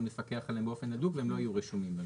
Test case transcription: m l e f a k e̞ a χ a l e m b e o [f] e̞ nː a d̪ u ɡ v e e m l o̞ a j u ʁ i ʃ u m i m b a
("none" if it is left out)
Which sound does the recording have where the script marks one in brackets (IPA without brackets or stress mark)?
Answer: f